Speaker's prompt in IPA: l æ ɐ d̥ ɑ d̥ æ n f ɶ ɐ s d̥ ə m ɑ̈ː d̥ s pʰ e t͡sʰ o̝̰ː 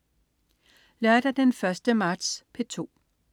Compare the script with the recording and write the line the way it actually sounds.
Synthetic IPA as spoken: l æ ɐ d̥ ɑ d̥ e n f ɶ ɐ s d̥ ə m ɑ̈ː d̥ s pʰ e t͡sʰ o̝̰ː